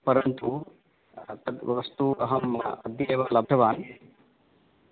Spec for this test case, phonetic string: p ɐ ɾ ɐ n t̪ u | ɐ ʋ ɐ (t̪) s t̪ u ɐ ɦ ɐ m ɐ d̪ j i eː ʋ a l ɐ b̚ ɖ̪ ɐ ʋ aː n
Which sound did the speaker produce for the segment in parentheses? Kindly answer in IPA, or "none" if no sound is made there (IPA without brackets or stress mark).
none